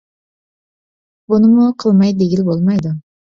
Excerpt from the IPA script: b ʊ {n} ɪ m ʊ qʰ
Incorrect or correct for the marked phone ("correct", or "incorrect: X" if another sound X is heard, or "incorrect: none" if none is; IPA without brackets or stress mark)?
correct